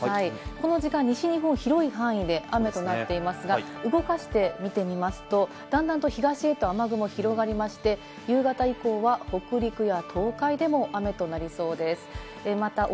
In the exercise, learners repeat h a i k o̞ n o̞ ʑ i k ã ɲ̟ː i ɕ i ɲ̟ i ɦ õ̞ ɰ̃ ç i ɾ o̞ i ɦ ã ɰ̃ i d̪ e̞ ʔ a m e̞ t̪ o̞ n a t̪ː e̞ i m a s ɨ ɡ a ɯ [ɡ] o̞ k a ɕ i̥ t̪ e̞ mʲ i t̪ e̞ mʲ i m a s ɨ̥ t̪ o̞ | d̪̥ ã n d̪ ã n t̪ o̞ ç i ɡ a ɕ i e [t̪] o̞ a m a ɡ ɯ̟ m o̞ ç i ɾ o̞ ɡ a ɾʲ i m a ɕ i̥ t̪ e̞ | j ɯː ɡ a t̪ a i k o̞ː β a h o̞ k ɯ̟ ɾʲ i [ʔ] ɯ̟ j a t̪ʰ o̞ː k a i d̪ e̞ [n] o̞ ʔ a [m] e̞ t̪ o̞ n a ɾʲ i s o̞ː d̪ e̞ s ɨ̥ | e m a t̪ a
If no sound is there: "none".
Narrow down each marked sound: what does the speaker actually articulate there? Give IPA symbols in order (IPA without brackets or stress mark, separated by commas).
ɡ, t̪, k, m, m